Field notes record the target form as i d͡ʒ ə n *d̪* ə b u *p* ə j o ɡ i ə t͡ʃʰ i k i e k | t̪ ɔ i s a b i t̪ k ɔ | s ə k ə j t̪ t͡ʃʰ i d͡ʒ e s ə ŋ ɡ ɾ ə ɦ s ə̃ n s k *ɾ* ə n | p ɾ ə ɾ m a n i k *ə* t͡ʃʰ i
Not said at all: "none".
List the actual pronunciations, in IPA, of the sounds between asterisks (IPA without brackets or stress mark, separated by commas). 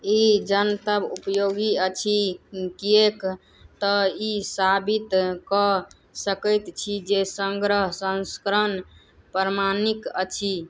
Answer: t̪, p, ɾ, ə